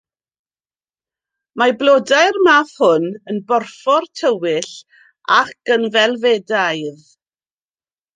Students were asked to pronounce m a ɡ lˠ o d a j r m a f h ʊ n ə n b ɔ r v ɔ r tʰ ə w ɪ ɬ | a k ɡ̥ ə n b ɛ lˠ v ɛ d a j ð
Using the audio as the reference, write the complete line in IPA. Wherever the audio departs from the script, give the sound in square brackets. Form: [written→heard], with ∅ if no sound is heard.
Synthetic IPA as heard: m a [ɡ→b] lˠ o d a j r m a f h ʊ n ə n b ɔ r [v→f] ɔ r tʰ ə w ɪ ɬ | a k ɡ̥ ə n [b→v] ɛ lˠ v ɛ d a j ð